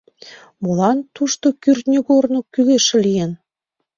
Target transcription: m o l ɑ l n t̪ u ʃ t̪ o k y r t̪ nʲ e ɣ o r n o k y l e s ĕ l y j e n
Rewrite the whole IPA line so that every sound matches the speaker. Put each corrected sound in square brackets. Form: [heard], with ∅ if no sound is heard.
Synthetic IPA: m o l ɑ [∅] n t̪ u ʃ t̪ o k y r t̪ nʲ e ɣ o r n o k y l e [ʃ] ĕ l [i] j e n